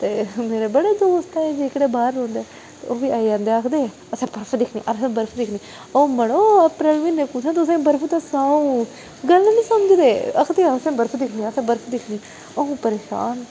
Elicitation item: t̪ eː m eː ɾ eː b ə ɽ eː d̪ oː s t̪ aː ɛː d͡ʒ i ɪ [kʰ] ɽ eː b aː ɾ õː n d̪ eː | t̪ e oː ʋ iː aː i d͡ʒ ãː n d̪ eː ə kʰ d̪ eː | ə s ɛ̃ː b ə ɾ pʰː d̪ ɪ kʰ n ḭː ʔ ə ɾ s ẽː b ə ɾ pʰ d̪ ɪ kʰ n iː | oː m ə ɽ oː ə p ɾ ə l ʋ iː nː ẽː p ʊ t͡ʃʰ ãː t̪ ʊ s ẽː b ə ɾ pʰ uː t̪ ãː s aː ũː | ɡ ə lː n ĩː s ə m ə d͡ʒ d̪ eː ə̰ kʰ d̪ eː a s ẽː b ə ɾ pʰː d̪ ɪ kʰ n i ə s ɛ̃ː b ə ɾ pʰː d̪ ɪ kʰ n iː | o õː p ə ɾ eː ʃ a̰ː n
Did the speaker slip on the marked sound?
yes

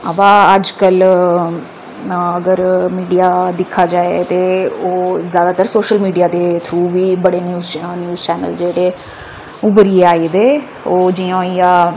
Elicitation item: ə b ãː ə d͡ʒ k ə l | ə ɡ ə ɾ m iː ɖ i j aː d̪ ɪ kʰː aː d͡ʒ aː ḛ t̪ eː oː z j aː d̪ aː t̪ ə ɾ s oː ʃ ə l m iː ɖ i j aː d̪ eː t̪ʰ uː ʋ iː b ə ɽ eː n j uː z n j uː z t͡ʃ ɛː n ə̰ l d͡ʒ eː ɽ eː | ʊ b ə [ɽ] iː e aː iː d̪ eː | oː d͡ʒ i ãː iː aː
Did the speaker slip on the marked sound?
yes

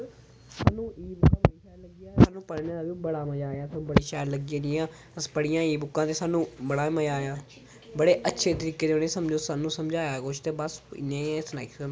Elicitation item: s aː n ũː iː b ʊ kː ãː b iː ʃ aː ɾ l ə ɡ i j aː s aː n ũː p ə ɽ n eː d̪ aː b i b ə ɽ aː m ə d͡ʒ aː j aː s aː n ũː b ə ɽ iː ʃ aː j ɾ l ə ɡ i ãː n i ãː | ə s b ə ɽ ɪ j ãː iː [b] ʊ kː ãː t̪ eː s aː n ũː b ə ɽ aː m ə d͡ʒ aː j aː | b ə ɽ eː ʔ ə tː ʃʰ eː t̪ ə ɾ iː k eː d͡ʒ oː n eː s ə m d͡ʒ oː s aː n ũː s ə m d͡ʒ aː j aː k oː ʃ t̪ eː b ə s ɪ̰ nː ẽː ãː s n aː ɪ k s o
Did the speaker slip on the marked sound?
no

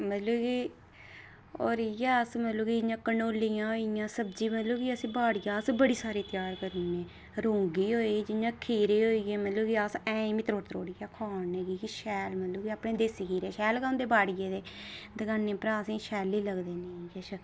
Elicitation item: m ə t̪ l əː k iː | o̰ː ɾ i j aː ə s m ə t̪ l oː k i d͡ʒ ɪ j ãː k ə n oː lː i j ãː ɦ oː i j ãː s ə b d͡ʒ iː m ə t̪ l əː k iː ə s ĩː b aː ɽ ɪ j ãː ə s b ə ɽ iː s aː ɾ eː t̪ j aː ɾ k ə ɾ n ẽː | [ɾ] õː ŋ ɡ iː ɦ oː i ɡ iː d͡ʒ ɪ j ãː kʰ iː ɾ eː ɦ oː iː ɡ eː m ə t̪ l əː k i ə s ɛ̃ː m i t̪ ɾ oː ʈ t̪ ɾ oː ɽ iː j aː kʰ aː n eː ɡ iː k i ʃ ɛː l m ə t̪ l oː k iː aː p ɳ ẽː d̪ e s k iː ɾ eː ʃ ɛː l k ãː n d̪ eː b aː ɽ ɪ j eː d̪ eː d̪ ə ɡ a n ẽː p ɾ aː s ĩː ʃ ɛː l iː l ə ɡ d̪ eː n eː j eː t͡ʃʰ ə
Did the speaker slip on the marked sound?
no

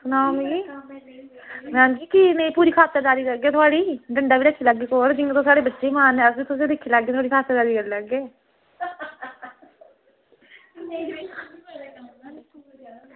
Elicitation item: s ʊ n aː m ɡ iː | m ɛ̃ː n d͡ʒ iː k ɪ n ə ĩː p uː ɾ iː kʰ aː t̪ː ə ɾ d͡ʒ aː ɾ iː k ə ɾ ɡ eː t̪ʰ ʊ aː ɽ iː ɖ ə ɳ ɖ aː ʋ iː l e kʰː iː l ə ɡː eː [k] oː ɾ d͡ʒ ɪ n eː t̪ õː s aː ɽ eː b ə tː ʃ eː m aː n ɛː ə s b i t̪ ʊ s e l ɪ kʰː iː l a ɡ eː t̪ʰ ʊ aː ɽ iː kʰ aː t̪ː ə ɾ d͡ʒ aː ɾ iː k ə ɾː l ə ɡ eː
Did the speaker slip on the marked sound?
no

